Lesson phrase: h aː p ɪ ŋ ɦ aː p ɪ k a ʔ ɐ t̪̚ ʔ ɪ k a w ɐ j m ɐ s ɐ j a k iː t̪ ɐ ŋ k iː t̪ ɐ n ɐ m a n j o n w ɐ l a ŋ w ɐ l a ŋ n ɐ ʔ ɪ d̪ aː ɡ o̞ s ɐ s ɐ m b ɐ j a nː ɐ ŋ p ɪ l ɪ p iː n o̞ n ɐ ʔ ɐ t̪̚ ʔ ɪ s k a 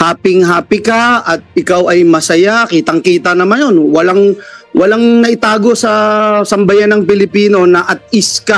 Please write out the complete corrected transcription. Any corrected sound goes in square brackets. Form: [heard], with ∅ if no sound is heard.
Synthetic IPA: h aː p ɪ ŋ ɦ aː p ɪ k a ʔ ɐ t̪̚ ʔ ɪ k a w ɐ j m ɐ s ɐ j a k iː t̪ ɐ ŋ k iː t̪ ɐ n ɐ m a n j o n w ɐ l a ŋ w ɐ l a ŋ n ɐ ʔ ɪ [t̪] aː ɡ o̞ s ɐ s ɐ m b ɐ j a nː ɐ ŋ p ɪ l ɪ p iː n o̞ n ɐ ʔ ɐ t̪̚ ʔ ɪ s k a